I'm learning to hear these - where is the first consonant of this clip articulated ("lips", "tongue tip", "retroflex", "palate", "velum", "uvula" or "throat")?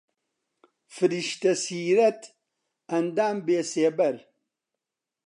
lips